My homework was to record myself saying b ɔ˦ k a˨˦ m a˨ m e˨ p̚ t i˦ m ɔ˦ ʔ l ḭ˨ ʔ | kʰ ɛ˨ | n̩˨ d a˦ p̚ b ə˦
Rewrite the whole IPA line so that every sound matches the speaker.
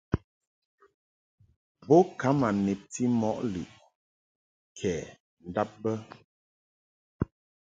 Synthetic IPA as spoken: b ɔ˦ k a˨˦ m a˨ n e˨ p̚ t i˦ m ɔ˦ ʔ l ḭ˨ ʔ | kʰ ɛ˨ | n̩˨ d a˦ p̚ b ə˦